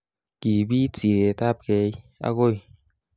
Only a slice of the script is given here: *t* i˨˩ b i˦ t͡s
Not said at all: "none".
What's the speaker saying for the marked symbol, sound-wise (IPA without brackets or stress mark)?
k